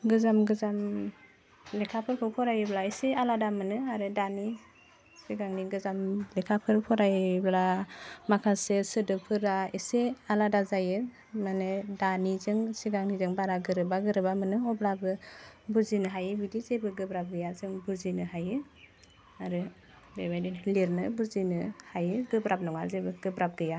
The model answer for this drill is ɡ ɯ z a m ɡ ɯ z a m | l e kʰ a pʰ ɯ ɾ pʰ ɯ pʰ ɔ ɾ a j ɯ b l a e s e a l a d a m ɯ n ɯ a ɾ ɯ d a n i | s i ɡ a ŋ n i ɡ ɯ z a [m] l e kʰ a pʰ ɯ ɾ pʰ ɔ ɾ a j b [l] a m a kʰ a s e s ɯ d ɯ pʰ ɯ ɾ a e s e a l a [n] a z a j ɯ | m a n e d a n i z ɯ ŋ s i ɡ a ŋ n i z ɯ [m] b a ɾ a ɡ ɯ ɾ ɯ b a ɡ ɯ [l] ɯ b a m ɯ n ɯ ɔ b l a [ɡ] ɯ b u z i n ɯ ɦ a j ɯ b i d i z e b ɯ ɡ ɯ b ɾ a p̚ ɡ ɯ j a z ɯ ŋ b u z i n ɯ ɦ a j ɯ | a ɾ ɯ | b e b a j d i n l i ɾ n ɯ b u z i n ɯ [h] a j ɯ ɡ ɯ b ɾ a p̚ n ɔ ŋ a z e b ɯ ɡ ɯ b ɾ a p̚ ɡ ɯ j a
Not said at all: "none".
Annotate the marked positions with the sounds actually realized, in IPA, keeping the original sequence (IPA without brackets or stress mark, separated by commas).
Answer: m, l, d, ŋ, ɾ, b, h